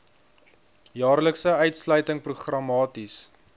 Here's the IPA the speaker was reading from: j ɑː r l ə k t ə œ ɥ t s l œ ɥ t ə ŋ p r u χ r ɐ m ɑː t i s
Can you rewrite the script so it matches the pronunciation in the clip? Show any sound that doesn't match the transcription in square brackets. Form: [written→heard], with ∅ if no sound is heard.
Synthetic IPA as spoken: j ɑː r l ə k [t→s] ə œ ɥ t s l œ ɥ t ə ŋ p r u χ r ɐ m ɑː t i s